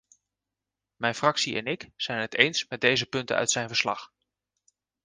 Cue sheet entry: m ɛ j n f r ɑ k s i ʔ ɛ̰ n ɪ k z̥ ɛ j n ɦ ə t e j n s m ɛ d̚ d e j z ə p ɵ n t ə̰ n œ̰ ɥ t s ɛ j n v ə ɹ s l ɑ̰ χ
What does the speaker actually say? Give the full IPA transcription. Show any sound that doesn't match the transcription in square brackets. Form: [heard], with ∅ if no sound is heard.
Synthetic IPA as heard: m ɛ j n f r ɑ k s i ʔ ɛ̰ n ɪ k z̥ ɛ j n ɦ ə t e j n s m ɛ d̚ d e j z ə p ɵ n t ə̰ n œ̰ ɥ t s ɛ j n v ə ɹ s l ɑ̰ χ